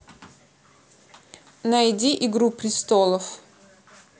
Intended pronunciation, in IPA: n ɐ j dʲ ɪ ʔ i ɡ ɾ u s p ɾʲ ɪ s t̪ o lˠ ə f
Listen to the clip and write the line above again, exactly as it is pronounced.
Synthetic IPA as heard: n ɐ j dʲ i ʔ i ɡ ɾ u p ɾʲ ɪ s t̪ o lˠ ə f

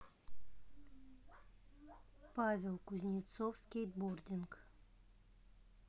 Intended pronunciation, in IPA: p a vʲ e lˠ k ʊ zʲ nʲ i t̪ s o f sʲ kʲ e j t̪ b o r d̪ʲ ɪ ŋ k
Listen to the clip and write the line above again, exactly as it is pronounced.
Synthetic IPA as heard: p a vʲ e lˠ k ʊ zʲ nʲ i t̪ s o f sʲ kʲ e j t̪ b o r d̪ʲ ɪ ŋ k

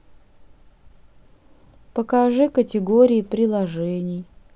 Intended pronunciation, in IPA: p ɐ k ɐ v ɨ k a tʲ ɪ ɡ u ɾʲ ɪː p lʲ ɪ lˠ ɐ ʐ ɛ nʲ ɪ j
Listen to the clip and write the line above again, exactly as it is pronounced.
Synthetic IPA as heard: p ə k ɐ ʐ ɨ k ə tʲ ɪ ɡ o ɾʲ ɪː p ɾʲ ɪ lˠ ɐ ʐ ɛ nʲ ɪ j

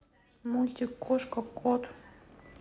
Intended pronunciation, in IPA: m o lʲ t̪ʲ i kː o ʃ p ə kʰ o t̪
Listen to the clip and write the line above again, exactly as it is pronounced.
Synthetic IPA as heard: m u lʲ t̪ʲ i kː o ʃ k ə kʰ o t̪

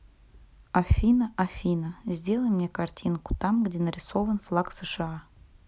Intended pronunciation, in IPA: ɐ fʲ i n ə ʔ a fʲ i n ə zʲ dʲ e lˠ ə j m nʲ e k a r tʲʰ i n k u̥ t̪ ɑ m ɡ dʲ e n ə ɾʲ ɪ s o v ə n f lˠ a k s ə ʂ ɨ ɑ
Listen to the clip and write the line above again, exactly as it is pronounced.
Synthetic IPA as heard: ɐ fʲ i n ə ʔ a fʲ i n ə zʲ dʲ e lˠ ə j m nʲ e k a r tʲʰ i n k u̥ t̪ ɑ m ɡ dʲ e n ə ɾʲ ɪ s o v ə n f lˠ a k s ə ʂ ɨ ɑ

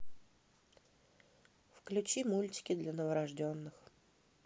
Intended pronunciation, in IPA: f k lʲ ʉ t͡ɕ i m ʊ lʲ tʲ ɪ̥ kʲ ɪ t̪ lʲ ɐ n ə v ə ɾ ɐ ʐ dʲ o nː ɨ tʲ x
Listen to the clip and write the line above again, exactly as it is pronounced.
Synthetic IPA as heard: f k lʲ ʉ t͡ɕ i m u lʲ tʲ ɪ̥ kʲ ɪ d̪ lʲ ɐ n ə v ə ɾ ɐ ʐ dʲ o nː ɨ x

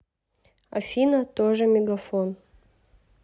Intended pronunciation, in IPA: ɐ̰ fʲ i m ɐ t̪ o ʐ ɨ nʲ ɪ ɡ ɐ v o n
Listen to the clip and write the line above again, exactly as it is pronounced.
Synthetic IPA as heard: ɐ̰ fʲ i n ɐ t̪ o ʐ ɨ mʲ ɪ ɡ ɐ f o n

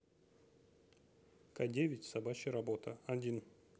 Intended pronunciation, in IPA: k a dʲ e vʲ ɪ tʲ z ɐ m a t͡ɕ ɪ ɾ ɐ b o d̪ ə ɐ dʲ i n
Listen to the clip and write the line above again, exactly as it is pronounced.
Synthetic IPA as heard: k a dʲ e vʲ ɪ tʲ s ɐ b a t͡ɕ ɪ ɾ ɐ b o t̪ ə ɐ dʲ i n

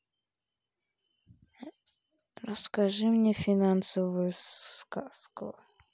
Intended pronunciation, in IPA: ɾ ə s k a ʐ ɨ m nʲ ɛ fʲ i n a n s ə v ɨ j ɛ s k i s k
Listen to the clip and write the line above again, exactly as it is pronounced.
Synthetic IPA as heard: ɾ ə s k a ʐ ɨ m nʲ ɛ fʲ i n a n s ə v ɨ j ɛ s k a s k

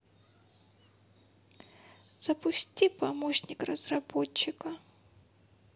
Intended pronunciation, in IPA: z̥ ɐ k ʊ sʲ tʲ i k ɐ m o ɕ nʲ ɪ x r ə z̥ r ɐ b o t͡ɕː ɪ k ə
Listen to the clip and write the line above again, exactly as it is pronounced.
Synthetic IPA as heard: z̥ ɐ p ʊ sʲ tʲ i p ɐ m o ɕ nʲ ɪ k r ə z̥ r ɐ b o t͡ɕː ɪ k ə

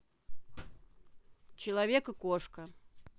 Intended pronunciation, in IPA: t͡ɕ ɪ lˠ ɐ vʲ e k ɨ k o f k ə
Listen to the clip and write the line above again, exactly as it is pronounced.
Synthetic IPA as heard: t͡ɕ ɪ lˠ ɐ vʲ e k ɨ k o ʂ k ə

